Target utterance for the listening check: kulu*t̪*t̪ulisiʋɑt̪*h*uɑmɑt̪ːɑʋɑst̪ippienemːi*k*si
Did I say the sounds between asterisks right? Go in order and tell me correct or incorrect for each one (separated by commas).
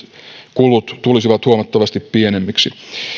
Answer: correct, correct, correct